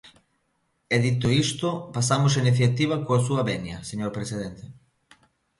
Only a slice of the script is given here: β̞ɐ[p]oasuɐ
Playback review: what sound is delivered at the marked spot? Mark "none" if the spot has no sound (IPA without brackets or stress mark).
k